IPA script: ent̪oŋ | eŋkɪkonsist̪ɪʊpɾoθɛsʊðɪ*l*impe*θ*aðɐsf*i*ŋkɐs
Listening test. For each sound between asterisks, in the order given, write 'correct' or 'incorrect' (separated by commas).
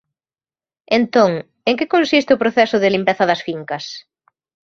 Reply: correct, correct, correct